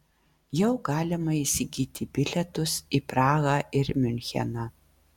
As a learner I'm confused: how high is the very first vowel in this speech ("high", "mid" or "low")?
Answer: mid